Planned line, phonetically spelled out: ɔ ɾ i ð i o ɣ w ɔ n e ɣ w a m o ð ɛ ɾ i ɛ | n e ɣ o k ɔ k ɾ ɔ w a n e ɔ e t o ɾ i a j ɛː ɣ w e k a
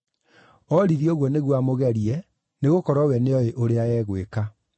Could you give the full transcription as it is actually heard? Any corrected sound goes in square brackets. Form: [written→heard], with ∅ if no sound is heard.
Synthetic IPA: ɔ ɾ i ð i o ɣ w ɔ n e ɣ w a m o [ð→ɣ] ɛ ɾ i ɛ | n e ɣ o k ɔ [k→∅] ɾ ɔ w [a→ɛ] n e ɔ e [t→ʔ] o ɾ [i→e] a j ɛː ɣ w e k a